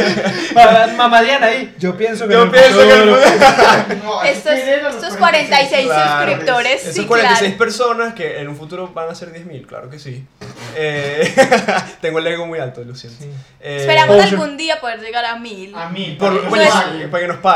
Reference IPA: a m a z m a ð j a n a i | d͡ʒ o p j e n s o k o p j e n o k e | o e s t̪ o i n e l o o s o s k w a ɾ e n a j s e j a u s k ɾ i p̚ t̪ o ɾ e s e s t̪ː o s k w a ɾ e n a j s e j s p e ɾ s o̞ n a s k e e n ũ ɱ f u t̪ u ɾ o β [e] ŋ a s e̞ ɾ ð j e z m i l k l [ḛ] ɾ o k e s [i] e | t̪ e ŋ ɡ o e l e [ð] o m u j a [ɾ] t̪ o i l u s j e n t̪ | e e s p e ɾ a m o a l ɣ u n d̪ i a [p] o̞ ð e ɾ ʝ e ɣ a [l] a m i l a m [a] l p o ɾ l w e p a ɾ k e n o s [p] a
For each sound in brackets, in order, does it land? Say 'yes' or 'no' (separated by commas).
no, no, yes, no, no, yes, no, no, yes